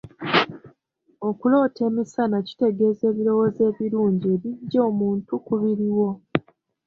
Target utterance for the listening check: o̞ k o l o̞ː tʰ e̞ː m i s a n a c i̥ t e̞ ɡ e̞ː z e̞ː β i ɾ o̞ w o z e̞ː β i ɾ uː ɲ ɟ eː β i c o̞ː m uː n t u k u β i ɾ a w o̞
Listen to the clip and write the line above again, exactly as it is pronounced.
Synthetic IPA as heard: o̞ k u l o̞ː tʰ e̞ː m i s a n a c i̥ t e̞ ɡ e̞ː z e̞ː β i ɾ o̞ w o z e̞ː β i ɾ uː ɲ ɟ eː β i ɟ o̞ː m uː n t u k u β i ɾ i w o̞